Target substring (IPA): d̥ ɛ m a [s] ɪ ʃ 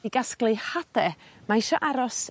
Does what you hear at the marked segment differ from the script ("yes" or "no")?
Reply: yes